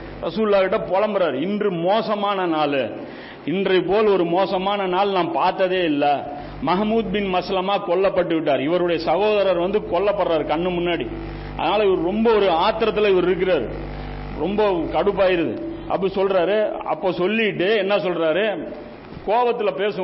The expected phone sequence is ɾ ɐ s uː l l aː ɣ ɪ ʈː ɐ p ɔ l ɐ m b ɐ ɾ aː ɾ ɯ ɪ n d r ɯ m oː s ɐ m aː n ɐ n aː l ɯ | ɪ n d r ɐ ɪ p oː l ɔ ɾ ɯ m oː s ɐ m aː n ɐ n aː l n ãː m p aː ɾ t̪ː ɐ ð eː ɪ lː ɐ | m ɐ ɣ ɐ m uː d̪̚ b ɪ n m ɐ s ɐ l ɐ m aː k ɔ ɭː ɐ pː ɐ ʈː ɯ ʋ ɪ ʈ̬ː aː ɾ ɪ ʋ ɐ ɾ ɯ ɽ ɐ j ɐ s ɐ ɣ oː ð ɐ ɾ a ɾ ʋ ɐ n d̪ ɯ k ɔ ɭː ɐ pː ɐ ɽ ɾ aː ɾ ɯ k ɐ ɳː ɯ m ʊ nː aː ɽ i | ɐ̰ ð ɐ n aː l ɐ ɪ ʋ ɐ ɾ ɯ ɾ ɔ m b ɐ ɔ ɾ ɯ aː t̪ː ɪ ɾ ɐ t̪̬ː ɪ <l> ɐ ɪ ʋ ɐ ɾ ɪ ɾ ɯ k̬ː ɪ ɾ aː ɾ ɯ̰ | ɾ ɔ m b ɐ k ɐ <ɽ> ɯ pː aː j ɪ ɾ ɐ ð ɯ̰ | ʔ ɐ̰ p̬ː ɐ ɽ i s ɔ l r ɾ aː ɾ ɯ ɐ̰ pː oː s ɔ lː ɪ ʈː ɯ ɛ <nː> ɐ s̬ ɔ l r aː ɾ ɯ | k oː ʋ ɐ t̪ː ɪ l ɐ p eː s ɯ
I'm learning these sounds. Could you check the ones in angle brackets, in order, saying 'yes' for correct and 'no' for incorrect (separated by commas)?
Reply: yes, yes, yes